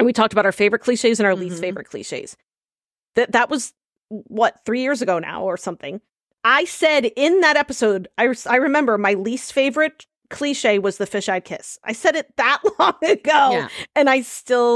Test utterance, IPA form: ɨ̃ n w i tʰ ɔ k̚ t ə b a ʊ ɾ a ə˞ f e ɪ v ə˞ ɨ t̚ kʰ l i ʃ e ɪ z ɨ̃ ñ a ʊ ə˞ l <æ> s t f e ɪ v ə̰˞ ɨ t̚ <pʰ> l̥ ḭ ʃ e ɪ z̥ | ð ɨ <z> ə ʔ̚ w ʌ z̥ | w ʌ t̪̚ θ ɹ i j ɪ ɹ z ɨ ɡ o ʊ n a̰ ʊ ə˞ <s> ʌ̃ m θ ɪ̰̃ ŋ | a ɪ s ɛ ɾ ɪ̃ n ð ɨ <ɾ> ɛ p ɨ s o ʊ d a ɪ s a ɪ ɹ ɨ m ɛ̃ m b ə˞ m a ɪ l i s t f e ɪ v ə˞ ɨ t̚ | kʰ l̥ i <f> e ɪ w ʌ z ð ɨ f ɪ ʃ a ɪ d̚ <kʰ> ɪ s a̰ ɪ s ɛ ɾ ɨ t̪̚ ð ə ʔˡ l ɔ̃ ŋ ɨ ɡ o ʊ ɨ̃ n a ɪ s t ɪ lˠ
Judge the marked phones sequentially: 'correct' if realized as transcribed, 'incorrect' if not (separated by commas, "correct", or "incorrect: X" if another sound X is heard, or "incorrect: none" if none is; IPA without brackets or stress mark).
incorrect: i, incorrect: kʰ, incorrect: ð, correct, correct, incorrect: ʃ, correct